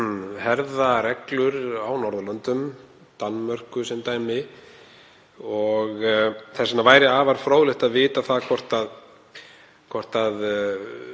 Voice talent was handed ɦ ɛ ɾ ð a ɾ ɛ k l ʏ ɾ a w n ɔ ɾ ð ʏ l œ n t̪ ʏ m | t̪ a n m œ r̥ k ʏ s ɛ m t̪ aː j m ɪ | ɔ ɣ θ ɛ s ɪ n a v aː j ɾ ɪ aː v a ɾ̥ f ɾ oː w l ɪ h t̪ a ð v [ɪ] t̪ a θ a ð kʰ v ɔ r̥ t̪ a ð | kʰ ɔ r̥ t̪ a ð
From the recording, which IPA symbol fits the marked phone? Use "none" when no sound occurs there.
ɪː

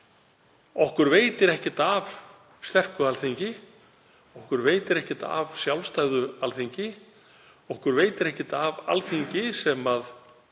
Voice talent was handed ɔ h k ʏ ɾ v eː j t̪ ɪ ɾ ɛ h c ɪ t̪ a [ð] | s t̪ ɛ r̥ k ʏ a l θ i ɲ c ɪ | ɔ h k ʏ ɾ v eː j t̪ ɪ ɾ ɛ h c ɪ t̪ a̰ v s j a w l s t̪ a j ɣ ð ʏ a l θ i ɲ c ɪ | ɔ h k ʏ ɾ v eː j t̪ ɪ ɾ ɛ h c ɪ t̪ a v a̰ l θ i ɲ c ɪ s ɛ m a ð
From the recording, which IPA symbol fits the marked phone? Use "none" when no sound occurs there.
v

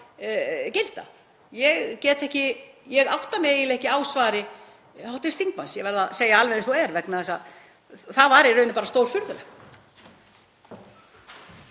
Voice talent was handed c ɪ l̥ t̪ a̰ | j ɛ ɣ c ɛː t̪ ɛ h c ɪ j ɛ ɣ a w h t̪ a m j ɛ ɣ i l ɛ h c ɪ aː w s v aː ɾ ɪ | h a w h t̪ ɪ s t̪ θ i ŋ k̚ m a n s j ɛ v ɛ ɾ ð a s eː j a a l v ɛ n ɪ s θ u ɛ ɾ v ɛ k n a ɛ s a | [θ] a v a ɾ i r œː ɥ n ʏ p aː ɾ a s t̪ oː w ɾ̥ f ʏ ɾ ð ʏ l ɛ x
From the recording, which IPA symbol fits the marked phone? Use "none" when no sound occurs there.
θ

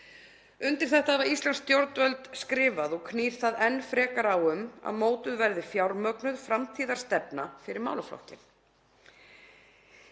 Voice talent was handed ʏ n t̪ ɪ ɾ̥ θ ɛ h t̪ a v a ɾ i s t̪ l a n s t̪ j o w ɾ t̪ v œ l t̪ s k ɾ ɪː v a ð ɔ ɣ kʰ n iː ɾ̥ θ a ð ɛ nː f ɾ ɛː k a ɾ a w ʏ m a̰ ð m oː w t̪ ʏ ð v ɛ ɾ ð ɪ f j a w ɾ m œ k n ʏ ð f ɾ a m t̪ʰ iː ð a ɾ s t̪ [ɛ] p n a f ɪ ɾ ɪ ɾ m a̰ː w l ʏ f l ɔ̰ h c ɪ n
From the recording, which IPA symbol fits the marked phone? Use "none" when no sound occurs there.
ɛ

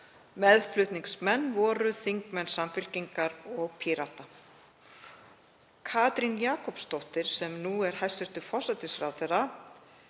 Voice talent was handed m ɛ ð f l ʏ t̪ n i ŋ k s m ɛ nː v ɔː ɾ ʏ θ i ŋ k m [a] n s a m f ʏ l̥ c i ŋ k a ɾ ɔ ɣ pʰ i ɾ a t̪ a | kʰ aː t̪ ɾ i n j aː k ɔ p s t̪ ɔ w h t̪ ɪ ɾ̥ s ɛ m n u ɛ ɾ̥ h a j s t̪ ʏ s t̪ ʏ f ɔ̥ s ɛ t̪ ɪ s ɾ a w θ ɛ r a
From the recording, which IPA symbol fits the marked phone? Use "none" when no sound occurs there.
ɛ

